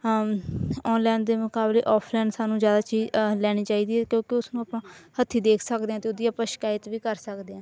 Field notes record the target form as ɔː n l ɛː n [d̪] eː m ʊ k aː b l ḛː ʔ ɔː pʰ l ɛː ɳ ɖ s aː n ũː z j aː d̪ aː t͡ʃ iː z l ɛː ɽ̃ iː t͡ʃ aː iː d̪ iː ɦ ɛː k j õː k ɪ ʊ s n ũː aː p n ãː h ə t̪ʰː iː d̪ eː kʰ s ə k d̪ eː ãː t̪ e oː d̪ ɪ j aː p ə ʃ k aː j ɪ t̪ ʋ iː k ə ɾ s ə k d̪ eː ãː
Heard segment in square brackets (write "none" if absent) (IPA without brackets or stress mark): d̪